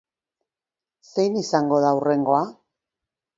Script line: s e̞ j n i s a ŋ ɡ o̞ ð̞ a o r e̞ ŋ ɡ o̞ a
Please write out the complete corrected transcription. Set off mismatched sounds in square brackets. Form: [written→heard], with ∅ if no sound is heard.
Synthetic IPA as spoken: s e̞ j n i s a ŋ ɡ o̞ ð̞ a [o→u] r e̞ ŋ ɡ o̞ a